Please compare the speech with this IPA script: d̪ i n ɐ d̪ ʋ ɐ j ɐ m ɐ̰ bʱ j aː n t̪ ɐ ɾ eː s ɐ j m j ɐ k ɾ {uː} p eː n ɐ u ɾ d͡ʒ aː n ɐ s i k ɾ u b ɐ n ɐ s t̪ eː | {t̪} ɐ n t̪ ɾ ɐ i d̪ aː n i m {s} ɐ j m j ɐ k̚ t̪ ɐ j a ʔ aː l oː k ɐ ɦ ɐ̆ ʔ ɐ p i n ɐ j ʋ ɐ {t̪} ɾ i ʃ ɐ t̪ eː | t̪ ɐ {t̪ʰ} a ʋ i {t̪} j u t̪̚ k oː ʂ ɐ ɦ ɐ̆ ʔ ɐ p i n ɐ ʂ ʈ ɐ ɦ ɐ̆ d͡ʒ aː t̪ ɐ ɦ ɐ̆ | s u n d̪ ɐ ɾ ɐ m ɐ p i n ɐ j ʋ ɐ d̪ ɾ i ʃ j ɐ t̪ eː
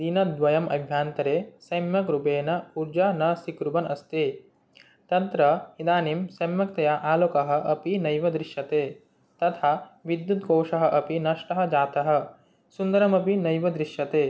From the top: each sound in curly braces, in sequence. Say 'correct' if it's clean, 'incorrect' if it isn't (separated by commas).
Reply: incorrect, correct, correct, incorrect, correct, incorrect